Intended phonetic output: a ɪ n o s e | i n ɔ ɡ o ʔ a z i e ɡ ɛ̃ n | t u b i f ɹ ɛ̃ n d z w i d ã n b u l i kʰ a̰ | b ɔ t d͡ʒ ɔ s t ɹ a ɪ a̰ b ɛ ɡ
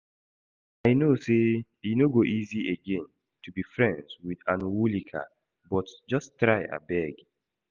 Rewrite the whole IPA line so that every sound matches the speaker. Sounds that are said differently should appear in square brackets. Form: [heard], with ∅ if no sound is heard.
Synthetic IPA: a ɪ n o s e | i n [o] ɡ o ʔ [i] z i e ɡ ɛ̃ n | t u b i f ɹ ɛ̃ n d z w i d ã n [w] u l i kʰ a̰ | b ɔ t d͡ʒ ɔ s t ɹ a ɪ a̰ b ɛ ɡ